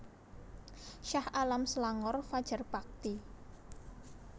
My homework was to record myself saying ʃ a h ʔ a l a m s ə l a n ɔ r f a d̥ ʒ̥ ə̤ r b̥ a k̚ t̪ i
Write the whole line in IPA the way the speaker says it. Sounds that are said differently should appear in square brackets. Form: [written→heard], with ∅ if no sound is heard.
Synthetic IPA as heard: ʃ a h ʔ a l a m s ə l a [n→ŋ] ɔ r f a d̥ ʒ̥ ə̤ r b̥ a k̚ t̪ i